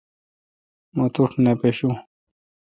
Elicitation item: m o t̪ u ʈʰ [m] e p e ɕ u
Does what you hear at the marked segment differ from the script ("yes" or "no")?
yes